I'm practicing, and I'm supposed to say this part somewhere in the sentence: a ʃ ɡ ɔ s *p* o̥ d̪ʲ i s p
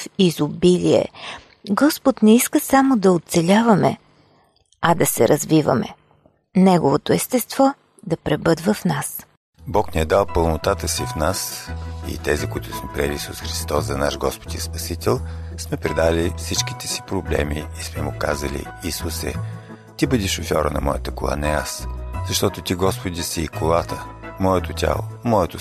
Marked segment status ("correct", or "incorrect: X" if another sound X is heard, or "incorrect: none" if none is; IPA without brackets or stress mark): correct